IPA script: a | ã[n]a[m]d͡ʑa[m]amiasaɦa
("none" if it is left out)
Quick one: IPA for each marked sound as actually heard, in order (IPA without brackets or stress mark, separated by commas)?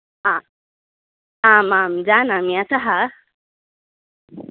m, m, n